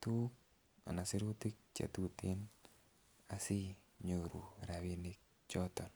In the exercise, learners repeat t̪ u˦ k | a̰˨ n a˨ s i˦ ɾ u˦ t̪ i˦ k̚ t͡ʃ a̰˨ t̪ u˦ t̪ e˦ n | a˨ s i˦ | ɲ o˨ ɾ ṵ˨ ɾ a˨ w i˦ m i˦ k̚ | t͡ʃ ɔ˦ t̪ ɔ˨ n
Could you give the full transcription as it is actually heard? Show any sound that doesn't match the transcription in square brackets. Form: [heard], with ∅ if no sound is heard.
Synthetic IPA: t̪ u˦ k | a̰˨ n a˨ s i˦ ɾ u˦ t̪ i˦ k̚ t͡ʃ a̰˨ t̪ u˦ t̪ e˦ n | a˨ s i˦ | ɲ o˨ ɾ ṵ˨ ɾ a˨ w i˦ [n] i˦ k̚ | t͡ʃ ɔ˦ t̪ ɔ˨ n